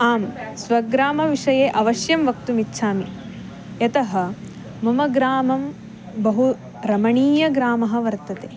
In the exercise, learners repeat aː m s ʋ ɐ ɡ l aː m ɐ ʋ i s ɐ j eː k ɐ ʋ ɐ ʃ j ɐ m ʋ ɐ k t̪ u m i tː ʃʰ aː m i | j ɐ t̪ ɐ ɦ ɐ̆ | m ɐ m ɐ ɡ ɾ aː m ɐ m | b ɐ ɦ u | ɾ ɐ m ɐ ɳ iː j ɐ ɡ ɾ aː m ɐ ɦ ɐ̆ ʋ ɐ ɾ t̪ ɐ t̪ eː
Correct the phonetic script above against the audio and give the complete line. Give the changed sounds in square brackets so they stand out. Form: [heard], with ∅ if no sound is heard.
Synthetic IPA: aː m s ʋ ɐ ɡ [ɾ] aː m ɐ ʋ i [ʂ] ɐ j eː [ʔ] ɐ ʋ ɐ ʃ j ɐ m ʋ ɐ k t̪ u m i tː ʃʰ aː m i | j ɐ t̪ ɐ ɦ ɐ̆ | m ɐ m ɐ ɡ ɾ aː m ɐ m | b ɐ ɦ u | ɾ ɐ m ɐ ɳ iː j ɐ ɡ ɾ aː m ɐ ɦ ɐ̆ ʋ ɐ ɾ t̪ ɐ t̪ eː

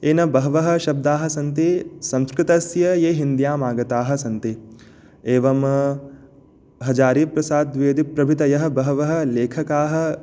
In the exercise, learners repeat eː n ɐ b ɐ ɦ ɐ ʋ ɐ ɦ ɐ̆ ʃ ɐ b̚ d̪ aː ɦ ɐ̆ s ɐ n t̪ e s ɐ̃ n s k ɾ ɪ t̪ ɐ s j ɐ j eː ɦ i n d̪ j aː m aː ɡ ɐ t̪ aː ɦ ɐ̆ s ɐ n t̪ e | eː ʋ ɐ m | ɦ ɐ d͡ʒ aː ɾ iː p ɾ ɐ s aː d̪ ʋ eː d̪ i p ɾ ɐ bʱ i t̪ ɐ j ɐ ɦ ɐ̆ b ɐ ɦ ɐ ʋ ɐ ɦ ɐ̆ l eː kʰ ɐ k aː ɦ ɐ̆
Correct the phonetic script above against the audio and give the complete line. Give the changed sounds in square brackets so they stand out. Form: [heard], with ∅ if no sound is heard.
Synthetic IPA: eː n ɐ b ɐ ɦ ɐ ʋ ɐ ɦ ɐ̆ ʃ ɐ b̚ d̪ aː ɦ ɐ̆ s ɐ n t̪ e s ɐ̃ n s k ɾ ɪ t̪ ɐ s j ɐ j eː ɦ i n d̪ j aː m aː ɡ ɐ t̪ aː ɦ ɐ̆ s ɐ n t̪ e | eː ʋ ɐ m | ɦ ɐ d͡ʒ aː ɾ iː p ɾ ɐ s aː d̪ ʋ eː d̪ i p ɾ ɐ bʱ i t̪ ɐ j ɐ ɦ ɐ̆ b ɐ ɦ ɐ ʋ ɐ ɦ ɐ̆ l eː kʰ ɐ k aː ɦ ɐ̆

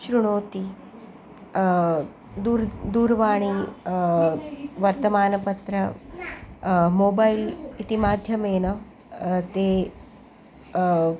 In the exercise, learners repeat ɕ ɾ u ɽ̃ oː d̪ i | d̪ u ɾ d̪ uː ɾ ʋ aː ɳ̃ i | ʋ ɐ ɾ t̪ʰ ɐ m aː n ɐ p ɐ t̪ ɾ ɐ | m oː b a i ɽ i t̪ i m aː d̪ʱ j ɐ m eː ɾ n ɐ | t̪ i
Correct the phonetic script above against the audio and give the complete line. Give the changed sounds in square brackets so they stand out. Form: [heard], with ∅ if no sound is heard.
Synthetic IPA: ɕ ɾ u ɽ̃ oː [t̪] i | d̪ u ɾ d̪ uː ɾ ʋ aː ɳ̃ i | ʋ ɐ ɾ [t̪] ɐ m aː n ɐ p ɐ t̪ ɾ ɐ | m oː b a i [l] i t̪ i m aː d̪ʱ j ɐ m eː [∅] n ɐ | t̪ [e]

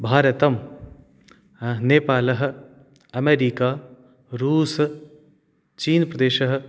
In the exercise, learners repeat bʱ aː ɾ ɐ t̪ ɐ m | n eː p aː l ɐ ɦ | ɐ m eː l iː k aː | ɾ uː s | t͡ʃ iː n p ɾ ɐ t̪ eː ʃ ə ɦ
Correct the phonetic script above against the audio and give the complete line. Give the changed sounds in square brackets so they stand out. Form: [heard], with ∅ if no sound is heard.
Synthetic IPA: bʱ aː ɾ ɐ t̪ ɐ m | n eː p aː l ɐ ɦ | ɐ m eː [ɾ] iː k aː | ɾ uː s | t͡ʃ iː n p ɾ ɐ [d̪] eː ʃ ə ɦ

